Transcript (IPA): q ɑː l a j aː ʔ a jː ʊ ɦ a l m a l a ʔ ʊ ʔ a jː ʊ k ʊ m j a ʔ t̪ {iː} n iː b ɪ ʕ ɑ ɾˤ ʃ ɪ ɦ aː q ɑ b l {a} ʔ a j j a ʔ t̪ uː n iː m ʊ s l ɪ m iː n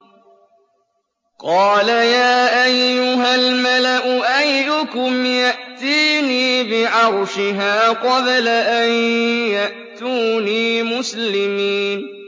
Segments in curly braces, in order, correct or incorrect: correct, correct

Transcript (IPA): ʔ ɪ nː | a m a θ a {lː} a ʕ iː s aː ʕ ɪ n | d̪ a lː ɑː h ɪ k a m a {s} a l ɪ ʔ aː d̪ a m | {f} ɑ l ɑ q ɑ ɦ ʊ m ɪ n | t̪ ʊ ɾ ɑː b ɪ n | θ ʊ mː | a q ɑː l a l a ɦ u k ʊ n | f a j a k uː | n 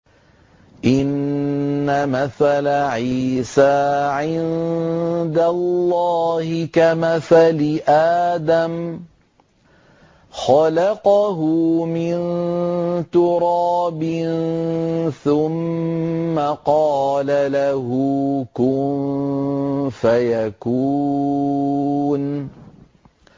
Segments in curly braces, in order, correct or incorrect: incorrect: l, incorrect: θ, incorrect: x

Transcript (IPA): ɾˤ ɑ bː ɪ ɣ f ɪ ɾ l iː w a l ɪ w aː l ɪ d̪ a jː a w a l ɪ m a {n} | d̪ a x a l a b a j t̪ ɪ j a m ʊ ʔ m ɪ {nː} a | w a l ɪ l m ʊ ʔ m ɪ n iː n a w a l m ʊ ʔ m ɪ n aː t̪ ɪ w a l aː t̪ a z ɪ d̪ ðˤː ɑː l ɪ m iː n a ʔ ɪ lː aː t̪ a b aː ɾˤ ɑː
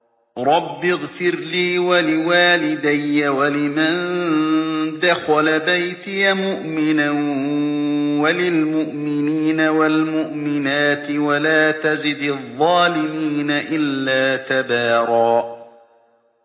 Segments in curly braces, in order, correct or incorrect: correct, incorrect: n

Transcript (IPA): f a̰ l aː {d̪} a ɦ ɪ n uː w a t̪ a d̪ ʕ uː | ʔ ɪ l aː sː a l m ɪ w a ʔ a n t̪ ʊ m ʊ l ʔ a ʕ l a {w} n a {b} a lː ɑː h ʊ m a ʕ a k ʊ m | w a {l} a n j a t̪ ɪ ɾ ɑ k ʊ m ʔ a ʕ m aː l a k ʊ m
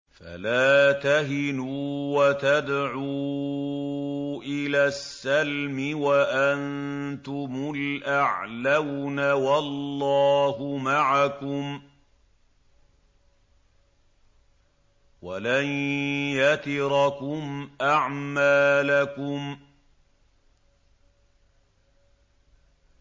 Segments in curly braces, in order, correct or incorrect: incorrect: t̪, correct, incorrect: w, correct

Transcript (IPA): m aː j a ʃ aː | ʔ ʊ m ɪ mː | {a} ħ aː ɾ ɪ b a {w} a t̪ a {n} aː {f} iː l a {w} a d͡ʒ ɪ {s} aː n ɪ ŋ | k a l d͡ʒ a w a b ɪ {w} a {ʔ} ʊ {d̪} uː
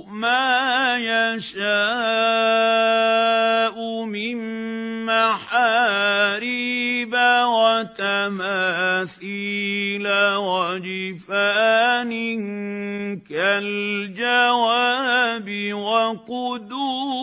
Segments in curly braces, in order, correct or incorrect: correct, correct, incorrect: m, incorrect: θ, correct, incorrect: f, correct, incorrect: q, correct

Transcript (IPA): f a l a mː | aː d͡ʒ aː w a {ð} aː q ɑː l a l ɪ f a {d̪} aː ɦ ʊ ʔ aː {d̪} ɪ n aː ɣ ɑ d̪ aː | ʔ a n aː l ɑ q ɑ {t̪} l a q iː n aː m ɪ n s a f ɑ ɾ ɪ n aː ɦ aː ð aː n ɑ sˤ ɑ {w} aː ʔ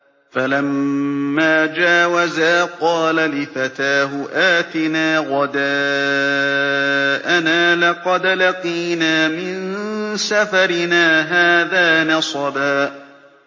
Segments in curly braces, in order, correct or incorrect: incorrect: z, incorrect: t̪, incorrect: t̪, incorrect: d̪, incorrect: b

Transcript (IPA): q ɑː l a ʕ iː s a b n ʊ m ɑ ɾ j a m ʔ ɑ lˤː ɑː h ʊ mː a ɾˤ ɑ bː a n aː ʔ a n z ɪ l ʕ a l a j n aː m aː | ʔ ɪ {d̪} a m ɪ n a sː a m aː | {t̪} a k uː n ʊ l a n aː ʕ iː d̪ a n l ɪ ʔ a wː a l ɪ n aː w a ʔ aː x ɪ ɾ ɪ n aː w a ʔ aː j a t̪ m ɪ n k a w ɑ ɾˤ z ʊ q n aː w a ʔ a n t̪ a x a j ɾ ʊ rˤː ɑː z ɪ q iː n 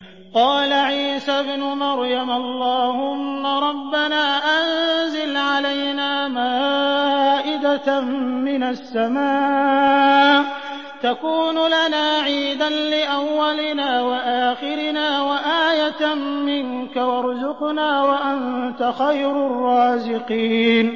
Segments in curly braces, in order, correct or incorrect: correct, correct

